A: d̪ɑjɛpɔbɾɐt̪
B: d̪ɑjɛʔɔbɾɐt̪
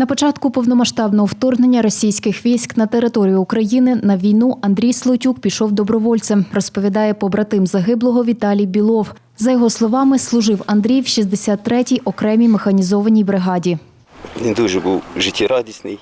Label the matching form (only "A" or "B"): A